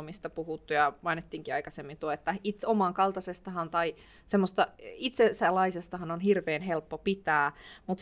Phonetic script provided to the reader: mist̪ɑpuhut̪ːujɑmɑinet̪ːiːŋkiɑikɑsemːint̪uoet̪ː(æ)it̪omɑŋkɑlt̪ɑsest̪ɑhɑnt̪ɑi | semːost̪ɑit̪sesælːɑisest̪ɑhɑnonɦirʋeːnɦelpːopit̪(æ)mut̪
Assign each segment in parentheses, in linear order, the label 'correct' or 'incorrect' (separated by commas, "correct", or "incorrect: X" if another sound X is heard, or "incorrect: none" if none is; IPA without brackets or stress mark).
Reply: correct, incorrect: æː